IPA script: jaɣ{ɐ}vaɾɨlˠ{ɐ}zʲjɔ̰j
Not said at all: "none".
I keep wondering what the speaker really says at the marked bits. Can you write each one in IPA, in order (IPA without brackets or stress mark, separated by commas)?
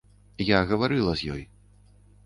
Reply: ɐ, ɐ